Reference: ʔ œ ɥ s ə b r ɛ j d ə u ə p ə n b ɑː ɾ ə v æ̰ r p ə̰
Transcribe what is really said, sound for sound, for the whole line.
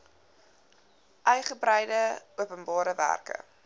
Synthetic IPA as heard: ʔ œ ɥ χ ə b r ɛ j d ə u ə p ə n b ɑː ɾ ə v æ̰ r k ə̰